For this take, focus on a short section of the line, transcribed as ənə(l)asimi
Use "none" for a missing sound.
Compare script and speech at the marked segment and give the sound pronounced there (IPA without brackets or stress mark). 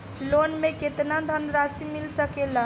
ɾ